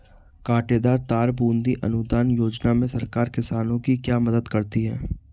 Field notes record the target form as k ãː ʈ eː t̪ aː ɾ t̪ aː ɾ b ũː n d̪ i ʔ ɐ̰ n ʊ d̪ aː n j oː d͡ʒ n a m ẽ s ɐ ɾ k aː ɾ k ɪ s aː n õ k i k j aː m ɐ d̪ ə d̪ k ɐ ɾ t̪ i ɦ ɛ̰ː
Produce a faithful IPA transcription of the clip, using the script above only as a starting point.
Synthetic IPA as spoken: k aː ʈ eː d̪ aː ɾ t̪ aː ɾ b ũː n d̪ i ʔ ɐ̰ n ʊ d̪ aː n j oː d͡ʒ n a m ẽ s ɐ ɾ k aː ɾ k ɪ s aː n õ k i k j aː m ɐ d̪ ə d̪ k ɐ ɾ t̪ i ɦ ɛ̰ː